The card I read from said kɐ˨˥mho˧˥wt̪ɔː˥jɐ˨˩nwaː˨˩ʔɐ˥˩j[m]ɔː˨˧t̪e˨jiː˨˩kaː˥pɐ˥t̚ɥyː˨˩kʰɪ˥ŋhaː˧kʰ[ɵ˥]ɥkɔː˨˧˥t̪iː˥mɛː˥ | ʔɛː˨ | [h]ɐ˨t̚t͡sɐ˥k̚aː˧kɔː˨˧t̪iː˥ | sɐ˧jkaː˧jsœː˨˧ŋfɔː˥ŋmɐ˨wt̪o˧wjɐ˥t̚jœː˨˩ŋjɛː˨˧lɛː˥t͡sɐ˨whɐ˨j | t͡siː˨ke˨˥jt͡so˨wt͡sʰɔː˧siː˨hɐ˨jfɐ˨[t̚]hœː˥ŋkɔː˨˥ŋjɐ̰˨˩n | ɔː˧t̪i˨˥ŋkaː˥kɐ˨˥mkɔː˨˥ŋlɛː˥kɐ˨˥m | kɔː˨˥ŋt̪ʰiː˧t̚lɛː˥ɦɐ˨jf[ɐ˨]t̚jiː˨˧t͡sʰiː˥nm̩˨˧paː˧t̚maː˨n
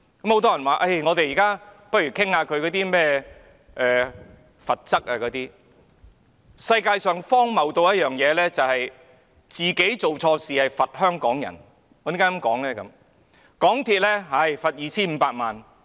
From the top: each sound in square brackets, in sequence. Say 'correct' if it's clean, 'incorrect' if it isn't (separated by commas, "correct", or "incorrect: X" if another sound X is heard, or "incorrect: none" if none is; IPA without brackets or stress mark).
incorrect: ŋ, incorrect: ɵ˨˧, incorrect: f, correct, correct